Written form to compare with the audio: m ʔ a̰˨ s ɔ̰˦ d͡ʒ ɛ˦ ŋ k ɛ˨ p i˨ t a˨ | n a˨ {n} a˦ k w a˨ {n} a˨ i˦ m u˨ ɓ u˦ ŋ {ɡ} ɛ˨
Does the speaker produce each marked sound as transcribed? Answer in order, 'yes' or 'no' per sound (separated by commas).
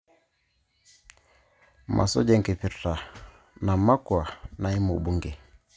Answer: no, yes, yes